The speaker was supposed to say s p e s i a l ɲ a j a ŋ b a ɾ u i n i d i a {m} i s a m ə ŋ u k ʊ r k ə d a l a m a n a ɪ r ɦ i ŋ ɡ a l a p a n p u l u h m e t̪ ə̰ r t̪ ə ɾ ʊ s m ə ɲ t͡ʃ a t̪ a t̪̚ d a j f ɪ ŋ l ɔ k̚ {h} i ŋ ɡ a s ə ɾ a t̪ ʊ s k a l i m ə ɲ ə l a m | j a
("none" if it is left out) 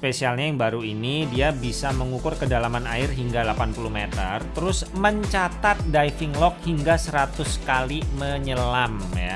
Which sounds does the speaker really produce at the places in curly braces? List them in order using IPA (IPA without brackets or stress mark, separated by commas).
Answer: b, h